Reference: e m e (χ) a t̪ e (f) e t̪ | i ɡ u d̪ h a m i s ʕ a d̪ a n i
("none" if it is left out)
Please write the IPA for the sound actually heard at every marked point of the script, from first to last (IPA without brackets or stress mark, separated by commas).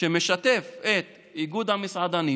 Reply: ʃ, f